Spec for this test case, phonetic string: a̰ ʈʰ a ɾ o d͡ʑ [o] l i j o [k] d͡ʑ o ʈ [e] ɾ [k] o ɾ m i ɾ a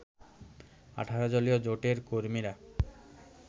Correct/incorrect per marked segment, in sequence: correct, incorrect, correct, correct

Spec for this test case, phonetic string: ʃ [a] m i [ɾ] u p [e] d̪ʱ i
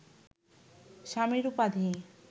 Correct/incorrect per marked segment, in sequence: correct, correct, incorrect

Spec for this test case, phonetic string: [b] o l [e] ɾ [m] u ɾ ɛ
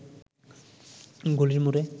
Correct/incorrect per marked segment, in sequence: incorrect, incorrect, correct

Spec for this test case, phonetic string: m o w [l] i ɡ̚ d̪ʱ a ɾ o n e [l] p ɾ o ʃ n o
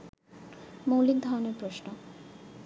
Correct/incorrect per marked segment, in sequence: correct, incorrect

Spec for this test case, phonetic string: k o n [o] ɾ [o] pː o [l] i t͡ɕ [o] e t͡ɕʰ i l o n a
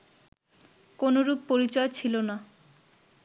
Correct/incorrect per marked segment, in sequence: correct, incorrect, incorrect, incorrect

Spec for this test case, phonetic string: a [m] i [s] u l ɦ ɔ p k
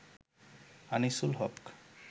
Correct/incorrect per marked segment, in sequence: incorrect, correct

